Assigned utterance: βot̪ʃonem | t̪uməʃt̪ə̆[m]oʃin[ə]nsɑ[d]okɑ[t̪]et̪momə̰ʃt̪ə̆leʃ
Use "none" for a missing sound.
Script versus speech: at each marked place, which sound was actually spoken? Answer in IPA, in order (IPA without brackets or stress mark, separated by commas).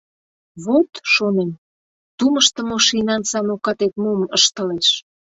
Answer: m, ɑ, n, t̪